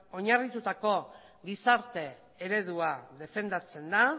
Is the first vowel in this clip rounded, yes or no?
yes